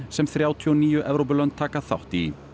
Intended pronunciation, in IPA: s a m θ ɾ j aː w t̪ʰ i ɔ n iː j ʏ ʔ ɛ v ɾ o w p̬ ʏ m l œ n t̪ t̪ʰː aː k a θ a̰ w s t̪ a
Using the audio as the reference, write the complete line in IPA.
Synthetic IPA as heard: s ɛ m θ ɾ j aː w t̪ʰ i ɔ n iː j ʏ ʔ ɛ v ɾ o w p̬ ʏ l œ n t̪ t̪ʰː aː k a θ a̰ w h t̪ i